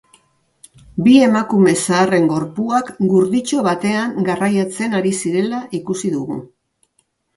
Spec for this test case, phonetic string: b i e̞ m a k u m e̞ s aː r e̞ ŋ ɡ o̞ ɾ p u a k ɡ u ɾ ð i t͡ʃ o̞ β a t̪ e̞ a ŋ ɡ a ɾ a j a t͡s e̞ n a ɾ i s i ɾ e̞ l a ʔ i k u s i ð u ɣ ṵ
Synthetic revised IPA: b i e̞ m a k u m e̞ s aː r e̞ ŋ ɡ o̞ ɾ p u a k ɡ u ɾ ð i t͡ʃ o̞ β a t̪ e̞ a ŋ ɡ a r a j a t͡s e̞ n a ɾ i s i ɾ e̞ l a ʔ i k u s i ð u ɣ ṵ